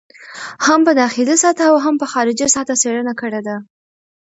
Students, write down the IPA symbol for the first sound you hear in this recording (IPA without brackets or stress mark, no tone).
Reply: h